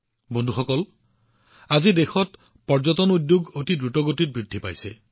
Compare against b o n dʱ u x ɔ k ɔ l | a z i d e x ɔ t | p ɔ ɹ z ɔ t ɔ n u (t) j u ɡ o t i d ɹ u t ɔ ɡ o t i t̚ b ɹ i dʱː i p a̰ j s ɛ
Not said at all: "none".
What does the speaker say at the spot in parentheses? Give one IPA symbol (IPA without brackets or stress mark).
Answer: d